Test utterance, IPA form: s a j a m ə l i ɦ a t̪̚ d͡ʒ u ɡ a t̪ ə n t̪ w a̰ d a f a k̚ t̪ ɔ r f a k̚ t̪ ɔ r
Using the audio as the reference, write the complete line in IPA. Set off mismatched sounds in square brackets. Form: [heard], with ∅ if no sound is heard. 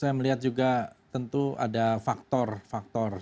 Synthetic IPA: s a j a m ə l i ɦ a t̪̚ d͡ʒ u ɡ a t̪ ə n t̪ [u] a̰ d a f a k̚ t̪ ɔ r f a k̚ t̪ ɔ r